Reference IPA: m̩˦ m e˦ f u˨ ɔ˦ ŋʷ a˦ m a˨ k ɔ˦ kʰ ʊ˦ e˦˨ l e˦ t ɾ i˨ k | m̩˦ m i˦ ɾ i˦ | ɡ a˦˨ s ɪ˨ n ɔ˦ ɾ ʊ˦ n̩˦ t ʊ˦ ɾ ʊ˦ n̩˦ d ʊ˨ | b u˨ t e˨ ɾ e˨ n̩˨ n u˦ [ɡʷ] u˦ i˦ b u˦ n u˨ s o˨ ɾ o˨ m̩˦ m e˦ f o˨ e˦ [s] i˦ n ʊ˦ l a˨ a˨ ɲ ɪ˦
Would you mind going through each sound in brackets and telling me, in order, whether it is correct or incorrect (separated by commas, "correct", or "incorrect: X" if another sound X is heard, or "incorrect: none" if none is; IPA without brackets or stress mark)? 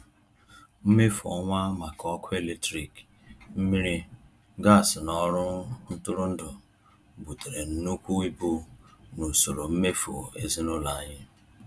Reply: incorrect: kʷ, incorrect: z